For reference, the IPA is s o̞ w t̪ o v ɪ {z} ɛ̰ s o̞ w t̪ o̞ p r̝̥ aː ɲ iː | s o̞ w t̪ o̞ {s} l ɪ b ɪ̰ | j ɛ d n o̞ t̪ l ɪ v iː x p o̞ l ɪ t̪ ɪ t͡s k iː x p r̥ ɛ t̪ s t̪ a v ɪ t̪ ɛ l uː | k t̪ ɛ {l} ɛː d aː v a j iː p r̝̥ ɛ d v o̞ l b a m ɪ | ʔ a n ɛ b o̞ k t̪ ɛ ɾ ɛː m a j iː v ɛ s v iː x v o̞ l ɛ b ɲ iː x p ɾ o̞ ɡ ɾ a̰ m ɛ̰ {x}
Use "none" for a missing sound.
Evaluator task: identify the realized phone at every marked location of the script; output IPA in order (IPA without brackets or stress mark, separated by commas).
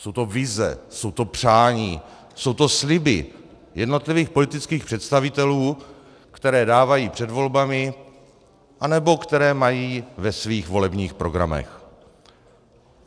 z, s, ɾ, x